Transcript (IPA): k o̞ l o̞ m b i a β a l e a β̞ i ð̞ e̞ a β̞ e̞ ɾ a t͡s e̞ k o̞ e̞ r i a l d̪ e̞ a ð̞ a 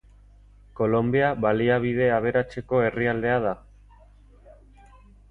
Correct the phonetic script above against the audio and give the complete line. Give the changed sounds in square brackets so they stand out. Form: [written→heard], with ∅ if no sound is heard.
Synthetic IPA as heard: k o̞ l o̞ m b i a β a l [e→i] a β̞ i ð̞ e̞ a β̞ e̞ ɾ a t͡s e̞ k o̞ e̞ r i a l d̪ e̞ a ð̞ a

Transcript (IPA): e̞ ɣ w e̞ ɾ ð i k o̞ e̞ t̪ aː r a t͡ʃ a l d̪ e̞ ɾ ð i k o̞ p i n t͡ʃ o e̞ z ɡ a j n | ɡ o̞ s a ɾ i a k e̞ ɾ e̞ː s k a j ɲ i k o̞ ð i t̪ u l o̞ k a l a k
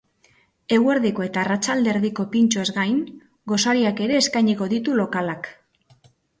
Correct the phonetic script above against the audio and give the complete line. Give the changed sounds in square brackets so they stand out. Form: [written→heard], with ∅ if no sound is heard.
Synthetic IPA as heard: e̞ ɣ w e̞ ɾ ð i k o̞ e̞ t̪ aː r a t͡ʃ a l d̪ e̞ ɾ ð i k o̞ p i n t͡ʃ o e̞ z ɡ a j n | ɡ o̞ s a ɾ i a k e̞ ɾ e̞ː s k a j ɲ i k o̞ ð i t̪ u l o̞ k a l a k

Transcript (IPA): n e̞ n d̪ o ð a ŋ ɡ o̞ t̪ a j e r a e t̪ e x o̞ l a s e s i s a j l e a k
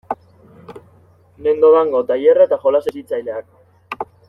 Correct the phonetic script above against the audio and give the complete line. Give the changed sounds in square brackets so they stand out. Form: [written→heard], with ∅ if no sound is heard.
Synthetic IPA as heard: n e̞ n d̪ o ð a ŋ ɡ o̞ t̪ a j e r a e t̪ [e→a] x o̞ l a s e s i [s→t͡s] a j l e a k

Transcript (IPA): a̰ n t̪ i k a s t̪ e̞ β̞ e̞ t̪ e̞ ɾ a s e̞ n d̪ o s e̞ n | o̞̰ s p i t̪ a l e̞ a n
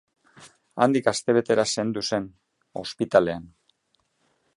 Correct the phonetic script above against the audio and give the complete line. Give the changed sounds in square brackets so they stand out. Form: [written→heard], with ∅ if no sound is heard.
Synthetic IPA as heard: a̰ n [t̪→d̪] i k a s t̪ e̞ β̞ e̞ t̪ e̞ ɾ a s e̞ n d̪ [o→u] s e̞ n | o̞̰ s p i t̪ a l e̞ a n

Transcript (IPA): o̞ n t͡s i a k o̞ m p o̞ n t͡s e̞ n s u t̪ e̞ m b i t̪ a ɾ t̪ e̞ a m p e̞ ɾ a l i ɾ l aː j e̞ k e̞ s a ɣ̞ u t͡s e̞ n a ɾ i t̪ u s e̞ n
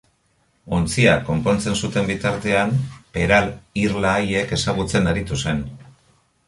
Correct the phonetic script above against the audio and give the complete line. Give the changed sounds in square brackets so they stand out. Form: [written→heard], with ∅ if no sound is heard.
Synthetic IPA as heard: o̞ n t͡s i a k o̞ m p o̞ n t͡s e̞ n s u t̪ e̞ m b i t̪ a ɾ t̪ e̞ a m p e̞ ɾ a l i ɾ l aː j e̞ k e̞ s a ɣ̞ u t͡s e̞ n a ɾ i t̪ u s e̞ n

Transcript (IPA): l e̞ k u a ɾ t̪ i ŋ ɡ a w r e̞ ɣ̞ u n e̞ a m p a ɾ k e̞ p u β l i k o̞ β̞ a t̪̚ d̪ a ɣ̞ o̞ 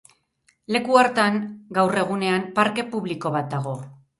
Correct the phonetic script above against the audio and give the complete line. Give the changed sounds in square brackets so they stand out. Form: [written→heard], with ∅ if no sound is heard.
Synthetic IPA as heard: l e̞ k u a ɾ t̪ [i→a] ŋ ɡ a w r e̞ ɣ̞ u n e̞ a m p a ɾ k e̞ p u β l i k o̞ β̞ a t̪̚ d̪ a ɣ̞ o̞

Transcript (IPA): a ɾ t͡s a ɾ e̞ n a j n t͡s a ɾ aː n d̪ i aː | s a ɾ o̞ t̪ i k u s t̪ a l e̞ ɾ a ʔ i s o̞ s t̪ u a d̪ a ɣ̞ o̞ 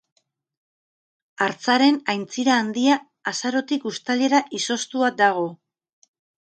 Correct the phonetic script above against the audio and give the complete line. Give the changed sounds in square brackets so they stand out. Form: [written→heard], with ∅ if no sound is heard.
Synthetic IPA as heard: a ɾ t͡s a ɾ e̞ n a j n t͡s [a→i] ɾ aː n d̪ i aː | s a ɾ o̞ t̪ i k u s t̪ a l e̞ ɾ a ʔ i s o̞ s t̪ u a d̪ a ɣ̞ o̞

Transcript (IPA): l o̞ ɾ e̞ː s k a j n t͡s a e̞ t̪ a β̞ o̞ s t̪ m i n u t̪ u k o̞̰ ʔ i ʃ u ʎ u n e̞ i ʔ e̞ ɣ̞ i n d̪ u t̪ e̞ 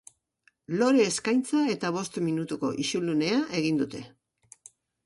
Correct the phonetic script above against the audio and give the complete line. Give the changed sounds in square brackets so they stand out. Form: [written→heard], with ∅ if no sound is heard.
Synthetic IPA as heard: l o̞ ɾ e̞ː s k a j n t͡s a e̞ t̪ a β̞ o̞ s t̪ m i n u t̪ u k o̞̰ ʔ i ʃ u [ʎ→l] u n e̞ [i→a] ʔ e̞ ɣ̞ i n d̪ u t̪ e̞

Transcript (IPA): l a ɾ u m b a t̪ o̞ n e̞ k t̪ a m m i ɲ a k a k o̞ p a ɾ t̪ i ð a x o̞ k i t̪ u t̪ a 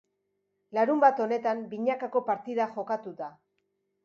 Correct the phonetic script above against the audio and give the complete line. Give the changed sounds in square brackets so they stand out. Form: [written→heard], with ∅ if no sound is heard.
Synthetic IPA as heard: l a ɾ u m b a t̪ o̞ n e̞ [k→∅] t̪ a m [m→b] i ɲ a k a k o̞ p a ɾ t̪ i ð a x o̞ k [i→a] t̪ u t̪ a

